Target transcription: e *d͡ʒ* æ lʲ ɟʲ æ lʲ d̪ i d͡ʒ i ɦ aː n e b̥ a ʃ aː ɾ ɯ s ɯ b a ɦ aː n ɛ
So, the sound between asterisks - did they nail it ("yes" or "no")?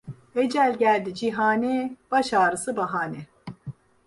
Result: yes